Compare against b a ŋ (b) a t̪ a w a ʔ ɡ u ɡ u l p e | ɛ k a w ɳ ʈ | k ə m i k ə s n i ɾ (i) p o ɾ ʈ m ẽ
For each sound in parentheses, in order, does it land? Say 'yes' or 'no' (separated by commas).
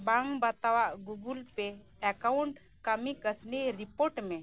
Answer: yes, yes